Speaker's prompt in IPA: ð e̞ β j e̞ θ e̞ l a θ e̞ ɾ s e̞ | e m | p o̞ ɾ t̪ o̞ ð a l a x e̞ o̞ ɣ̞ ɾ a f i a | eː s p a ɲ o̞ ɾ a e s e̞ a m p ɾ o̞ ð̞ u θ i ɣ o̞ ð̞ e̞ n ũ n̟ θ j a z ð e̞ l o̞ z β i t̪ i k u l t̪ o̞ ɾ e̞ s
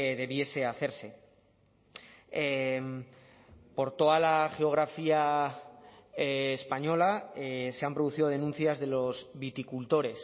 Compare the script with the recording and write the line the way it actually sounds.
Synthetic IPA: ð e̞ β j e̞ s e̞ a θ e̞ ɾ s e̞ | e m | p o̞ ɾ t̪ o̞ ð a l a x e̞ o̞ ɣ̞ ɾ a f i a | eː s p a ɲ o̞ l a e s e̞ a m p ɾ o̞ ð̞ u θ i ð o̞ ð̞ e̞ n ũ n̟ θ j a z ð e̞ l o̞ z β i t̪ i k u l t̪ o̞ ɾ e̞ s

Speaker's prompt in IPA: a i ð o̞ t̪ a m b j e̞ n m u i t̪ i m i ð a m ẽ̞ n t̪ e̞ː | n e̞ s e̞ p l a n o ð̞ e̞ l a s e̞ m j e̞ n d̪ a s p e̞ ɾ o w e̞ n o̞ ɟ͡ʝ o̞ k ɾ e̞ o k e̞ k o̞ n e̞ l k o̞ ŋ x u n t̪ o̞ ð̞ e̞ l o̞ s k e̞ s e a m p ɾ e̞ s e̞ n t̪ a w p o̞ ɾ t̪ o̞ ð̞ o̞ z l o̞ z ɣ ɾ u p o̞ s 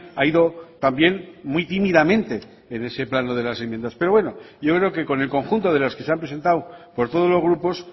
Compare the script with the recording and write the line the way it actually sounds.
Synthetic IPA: a i ð o̞ t̪ a m b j e̞ n m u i t̪ i m i ð a m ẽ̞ n t̪ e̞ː | n e̞ s e̞ p l a n o ð̞ e̞ l a s e̞ m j e̞ n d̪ a s p e̞ ɾ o w e̞ n o̞ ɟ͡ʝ o̞ k ɾ e̞ o k e̞ k o̞ n e̞ l k o̞ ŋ x u n t̪ o̞ ð̞ e̞ l o̞ s k e̞ s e a m p ɾ e̞ s e̞ n t̪ a w p o̞ ɾ t̪ o̞ ð̞ o̞ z l o̞ z ɣ ɾ u p o̞ s

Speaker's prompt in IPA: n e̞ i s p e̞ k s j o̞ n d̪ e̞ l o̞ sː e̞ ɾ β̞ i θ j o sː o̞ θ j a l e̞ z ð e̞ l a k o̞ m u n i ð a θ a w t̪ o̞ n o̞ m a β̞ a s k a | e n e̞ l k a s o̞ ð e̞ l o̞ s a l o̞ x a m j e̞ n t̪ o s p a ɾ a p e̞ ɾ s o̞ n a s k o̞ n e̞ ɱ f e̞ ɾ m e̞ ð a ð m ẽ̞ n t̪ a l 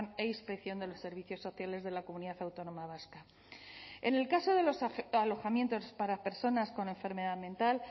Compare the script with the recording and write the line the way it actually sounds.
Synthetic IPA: n e̞ i s p e̞ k θ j o̞ n d̪ e̞ l o̞ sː e̞ ɾ β̞ i θ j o sː o̞ θ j a l e̞ z ð e̞ l a k o̞ m u n i ð a θ a w t̪ o̞ n o̞ m a β̞ a s k a | e n e̞ l k a s o̞ ð e̞ l o̞ s a l o̞ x a m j e̞ n t̪ o s p a ɾ a p e̞ ɾ s o̞ n a s k o̞ n e̞ ɱ f e̞ ɾ m e̞ ð a ð m ẽ̞ n t̪ a l

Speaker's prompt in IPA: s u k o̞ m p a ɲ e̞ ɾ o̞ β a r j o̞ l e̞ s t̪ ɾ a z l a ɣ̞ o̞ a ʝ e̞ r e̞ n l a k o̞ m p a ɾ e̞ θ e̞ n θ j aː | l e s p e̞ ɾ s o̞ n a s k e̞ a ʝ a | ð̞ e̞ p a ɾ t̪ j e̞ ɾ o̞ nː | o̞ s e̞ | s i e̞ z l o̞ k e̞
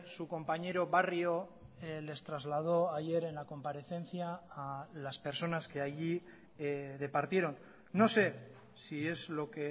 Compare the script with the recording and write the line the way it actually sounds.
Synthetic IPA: s u k o̞ m p a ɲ e̞ ɾ o̞ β a r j o̞ l e̞ s t̪ ɾ a z l a ð̞ o̞ a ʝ e̞ ɾ e̞ n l a k o̞ m p a ɾ e̞ θ e̞ n θ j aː | l a s p e̞ ɾ s o̞ n a s k e̞ a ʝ i | ð̞ e̞ p a ɾ t̪ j e̞ ɾ o̞ nː | o̞ s e̞ | s i e̞ z l o̞ k e̞

